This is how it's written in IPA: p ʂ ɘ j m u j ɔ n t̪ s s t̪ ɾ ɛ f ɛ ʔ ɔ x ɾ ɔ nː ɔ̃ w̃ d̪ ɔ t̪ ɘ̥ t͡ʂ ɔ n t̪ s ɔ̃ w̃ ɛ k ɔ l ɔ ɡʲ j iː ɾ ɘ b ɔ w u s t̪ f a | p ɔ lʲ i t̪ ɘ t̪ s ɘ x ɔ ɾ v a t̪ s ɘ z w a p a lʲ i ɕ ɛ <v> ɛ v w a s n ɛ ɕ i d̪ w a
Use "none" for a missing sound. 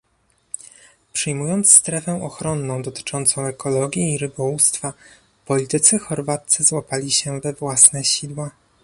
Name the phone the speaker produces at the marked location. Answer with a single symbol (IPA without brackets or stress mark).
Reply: v